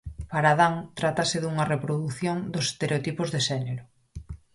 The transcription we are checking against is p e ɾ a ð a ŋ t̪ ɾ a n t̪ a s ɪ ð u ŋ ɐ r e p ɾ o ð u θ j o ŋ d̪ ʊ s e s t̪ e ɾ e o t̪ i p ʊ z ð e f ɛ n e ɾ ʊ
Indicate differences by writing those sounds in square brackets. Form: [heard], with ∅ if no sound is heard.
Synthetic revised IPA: p [a] ɾ a ð a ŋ t̪ ɾ a [∅] t̪ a s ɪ ð u ŋ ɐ r e p ɾ o ð u θ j o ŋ d̪ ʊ s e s t̪ e ɾ e o t̪ i p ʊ z ð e [ʃ] ɛ n e ɾ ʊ

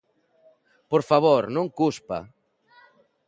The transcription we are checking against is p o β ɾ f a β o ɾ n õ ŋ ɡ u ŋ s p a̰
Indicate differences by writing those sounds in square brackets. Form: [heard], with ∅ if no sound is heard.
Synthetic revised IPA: p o [∅] ɾ f a β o ɾ n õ ŋ [k] u [∅] s p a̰

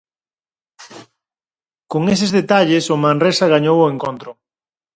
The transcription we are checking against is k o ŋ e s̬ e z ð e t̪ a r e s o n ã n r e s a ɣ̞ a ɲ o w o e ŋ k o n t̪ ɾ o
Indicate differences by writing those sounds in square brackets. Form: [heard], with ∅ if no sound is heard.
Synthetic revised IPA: k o ŋ e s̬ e z ð e t̪ a [ʎ] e s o [m] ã n r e s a ɣ̞ a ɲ o w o e ŋ k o n t̪ ɾ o

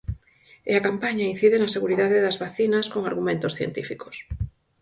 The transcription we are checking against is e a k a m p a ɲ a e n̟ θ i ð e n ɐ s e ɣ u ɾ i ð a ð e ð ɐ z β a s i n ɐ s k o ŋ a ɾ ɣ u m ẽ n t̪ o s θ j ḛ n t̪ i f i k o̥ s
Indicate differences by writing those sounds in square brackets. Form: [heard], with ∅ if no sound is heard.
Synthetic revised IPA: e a k a m p a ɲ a [i] n̟ θ i ð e n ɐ s e ɣ u ɾ i ð a ð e ð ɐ z β a [θ] i n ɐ s k o ŋ a ɾ ɣ u m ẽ n t̪ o s θ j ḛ n t̪ i f i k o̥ s

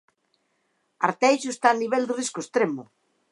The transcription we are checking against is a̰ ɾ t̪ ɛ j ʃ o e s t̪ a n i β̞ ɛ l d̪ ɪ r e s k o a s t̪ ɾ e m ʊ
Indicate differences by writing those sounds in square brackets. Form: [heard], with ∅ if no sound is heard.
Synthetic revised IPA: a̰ ɾ t̪ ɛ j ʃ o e s t̪ a n i β̞ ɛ l d̪ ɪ r [i] s k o [e] s t̪ ɾ e m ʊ

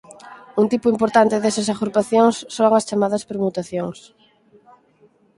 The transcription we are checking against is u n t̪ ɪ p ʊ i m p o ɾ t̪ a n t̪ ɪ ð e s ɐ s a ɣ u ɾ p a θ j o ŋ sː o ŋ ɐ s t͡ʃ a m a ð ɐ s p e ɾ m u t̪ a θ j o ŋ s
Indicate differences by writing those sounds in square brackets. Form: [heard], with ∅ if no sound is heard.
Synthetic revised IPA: u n t̪ [i] p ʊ i m p o ɾ t̪ a n t̪ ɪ ð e s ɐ s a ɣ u ɾ p a θ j o ŋ sː o ŋ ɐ s t͡ʃ a m a ð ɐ s p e ɾ m u t̪ a θ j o ŋ s

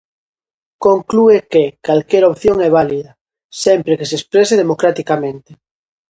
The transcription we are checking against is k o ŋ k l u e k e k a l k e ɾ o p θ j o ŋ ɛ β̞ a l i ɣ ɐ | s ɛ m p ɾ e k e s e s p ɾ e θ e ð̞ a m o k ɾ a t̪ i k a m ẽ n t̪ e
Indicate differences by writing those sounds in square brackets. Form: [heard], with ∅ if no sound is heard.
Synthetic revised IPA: k o ŋ k l u e k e k a l k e ɾ o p θ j o ŋ ɛ β̞ a l i [ð] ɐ | s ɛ m p ɾ e k e s e s p ɾ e [s] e ð̞ [e] m o k ɾ a t̪ i k a m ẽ n t̪ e

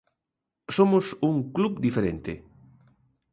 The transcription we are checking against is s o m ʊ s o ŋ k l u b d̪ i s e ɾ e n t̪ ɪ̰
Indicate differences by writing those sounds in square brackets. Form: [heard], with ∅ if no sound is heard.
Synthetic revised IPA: s o m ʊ s [u] ŋ k l u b d̪ i [f] e ɾ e n t̪ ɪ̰

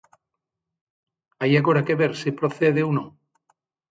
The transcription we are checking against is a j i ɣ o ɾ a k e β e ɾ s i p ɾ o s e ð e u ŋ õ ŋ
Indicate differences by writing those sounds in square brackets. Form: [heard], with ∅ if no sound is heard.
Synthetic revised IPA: a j [a] ɣ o ɾ a k e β e ɾ s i p ɾ o [θ] e ð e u [n] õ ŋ

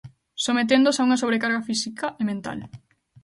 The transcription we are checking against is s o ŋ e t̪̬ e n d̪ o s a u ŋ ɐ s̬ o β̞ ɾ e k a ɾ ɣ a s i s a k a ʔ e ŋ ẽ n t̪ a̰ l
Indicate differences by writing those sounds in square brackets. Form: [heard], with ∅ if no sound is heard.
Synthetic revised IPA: s o [m] e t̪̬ e n d̪ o s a u ŋ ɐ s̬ o β̞ ɾ e k a ɾ ɣ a [f] i s [i] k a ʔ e [m] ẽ n t̪ a̰ l

